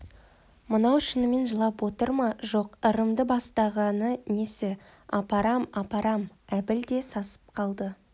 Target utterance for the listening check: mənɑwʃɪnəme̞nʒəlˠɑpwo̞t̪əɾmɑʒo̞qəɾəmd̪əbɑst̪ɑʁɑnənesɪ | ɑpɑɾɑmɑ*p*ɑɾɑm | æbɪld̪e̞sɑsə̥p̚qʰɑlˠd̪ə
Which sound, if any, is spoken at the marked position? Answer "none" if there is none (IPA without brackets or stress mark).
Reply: p